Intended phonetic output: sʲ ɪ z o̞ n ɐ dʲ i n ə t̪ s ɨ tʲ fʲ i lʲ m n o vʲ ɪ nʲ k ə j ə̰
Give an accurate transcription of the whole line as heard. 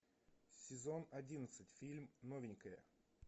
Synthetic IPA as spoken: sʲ ɪ z o̞ n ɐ dʲ i n ə t̪ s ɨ tʲ fʲ i lʲ m n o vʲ ɪ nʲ k ə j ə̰